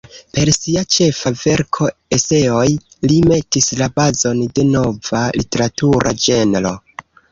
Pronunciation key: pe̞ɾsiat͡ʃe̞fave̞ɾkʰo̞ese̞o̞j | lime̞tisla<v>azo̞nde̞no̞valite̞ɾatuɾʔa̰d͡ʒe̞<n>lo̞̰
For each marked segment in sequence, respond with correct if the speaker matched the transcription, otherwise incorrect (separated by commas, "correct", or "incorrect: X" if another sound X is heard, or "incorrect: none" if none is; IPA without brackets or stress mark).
incorrect: b, correct